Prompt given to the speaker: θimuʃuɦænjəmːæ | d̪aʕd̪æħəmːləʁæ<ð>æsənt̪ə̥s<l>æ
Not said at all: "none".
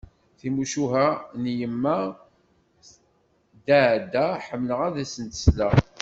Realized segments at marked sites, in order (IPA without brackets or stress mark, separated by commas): ð, l